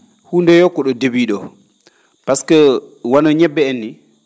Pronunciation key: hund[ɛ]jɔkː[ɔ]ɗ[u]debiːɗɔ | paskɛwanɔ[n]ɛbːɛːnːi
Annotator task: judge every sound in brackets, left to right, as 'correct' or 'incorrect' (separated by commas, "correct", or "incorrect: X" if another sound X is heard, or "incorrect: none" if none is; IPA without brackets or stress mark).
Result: correct, correct, incorrect: ɔ, incorrect: ɲ